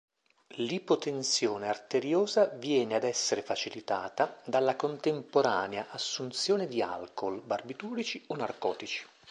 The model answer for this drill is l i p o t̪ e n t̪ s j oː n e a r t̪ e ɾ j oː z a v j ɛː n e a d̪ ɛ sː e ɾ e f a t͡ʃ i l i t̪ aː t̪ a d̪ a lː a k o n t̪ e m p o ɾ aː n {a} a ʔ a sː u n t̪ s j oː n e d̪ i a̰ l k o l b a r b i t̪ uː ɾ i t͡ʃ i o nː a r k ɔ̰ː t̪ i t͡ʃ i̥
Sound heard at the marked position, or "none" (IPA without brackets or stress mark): e